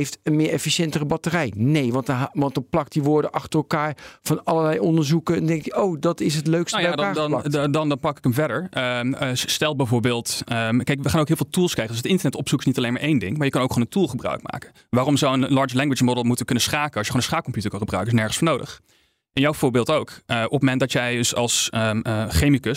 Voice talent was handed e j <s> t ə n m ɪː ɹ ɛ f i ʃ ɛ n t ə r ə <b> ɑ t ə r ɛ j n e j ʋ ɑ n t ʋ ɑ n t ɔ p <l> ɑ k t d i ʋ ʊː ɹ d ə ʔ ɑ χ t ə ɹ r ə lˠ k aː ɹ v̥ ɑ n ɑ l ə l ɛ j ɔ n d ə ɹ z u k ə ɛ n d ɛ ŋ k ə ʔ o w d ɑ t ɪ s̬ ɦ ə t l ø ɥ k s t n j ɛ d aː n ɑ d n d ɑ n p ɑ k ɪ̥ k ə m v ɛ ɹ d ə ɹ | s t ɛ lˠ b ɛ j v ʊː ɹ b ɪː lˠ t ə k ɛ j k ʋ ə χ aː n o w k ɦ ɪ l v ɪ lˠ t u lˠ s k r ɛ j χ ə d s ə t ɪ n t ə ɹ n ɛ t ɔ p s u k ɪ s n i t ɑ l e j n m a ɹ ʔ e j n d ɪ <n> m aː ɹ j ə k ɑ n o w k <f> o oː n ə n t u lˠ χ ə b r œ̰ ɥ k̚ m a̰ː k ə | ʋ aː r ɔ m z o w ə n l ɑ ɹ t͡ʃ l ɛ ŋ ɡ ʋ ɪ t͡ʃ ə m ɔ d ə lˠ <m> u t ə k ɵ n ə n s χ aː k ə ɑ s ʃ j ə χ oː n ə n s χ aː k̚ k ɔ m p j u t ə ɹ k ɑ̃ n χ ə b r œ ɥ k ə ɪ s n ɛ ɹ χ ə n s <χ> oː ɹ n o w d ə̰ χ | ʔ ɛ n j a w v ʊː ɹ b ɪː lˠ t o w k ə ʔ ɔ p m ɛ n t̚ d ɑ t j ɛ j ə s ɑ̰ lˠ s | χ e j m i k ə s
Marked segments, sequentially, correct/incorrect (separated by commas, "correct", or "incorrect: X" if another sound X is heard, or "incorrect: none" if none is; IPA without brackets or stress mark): incorrect: f, correct, correct, incorrect: ŋ, incorrect: χ, correct, incorrect: f